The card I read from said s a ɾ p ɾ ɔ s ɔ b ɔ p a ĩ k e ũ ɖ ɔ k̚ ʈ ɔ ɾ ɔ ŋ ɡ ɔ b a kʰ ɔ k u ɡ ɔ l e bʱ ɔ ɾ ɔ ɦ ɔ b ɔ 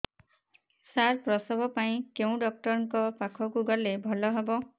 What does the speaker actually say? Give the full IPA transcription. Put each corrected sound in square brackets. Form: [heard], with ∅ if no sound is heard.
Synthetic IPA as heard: s a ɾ p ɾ ɔ s ɔ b ɔ p a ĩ k e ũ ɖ ɔ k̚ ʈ ɔ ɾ ɔ ŋ [k] ɔ [p] a kʰ ɔ k u ɡ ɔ l e bʱ ɔ [l] ɔ ɦ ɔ b ɔ